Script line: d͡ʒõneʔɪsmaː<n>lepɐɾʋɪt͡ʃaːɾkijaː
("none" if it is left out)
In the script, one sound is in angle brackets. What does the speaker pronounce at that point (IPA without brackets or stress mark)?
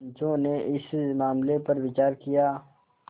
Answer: m